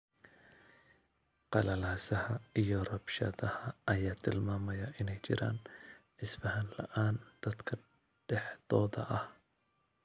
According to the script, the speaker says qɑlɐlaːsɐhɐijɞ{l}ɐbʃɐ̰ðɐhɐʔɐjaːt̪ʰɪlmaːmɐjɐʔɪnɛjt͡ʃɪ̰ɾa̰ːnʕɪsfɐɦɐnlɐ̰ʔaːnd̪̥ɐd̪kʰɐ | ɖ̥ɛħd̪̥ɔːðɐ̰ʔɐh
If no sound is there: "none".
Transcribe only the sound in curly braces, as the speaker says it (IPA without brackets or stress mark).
r